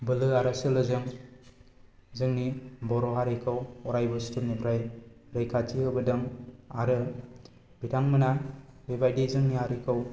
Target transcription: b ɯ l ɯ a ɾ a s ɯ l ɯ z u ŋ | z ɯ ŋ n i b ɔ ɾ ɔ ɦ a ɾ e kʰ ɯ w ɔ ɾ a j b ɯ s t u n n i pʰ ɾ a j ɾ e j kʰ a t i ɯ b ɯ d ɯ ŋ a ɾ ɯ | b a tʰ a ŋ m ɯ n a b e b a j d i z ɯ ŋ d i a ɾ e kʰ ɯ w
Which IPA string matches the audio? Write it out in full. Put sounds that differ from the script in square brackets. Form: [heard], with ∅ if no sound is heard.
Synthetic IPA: b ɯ l ɯ a ɾ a s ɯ l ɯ z [ɯ] ŋ | z ɯ ŋ n i b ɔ ɾ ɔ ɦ a ɾ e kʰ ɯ w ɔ ɾ a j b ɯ s t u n n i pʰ ɾ a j ɾ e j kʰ a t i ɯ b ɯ d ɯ ŋ a ɾ ɯ | b [i] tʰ a ŋ m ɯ n a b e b a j d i z ɯ ŋ [n] i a ɾ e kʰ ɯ w